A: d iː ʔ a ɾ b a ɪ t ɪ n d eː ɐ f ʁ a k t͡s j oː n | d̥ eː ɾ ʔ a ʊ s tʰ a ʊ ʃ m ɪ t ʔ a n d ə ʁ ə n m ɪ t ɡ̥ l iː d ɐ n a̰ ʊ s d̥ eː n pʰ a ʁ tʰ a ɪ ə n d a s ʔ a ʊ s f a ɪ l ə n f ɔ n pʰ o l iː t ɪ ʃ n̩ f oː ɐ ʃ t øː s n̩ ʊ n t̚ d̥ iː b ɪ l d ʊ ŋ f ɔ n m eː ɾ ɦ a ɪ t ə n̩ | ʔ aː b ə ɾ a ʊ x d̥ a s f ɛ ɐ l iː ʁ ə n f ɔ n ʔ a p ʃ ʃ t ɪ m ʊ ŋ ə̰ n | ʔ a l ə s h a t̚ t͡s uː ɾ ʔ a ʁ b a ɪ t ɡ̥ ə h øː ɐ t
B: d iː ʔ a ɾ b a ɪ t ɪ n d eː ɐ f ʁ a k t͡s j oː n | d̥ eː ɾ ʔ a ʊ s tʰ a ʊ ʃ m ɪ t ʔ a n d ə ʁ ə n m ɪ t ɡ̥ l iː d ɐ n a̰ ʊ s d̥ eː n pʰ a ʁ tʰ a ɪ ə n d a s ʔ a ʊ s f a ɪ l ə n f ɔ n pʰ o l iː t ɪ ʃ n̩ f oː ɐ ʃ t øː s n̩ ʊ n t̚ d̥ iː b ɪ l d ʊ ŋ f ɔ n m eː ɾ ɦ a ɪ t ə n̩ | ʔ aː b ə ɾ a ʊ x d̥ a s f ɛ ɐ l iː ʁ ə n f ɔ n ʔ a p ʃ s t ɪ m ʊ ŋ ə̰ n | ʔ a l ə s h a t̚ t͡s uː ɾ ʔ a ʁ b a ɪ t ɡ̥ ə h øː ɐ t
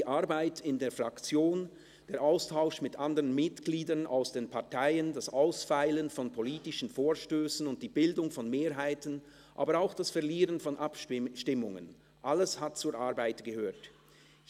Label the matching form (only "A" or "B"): A